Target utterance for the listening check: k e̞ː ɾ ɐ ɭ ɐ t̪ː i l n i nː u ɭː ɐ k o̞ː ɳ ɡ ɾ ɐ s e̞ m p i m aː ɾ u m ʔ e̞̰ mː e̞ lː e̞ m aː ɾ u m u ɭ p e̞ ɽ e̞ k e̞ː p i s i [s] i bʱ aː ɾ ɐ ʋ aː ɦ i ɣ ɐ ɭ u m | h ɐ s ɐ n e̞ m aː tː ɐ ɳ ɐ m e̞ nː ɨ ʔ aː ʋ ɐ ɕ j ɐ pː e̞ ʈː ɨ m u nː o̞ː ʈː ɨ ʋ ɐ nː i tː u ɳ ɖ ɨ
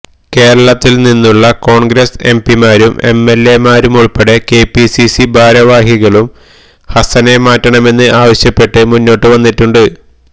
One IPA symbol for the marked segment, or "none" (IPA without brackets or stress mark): s